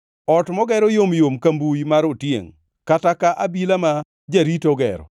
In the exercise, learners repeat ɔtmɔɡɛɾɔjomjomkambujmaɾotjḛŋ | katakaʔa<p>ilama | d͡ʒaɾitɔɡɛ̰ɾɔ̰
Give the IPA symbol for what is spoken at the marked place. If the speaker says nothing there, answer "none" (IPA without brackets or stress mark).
b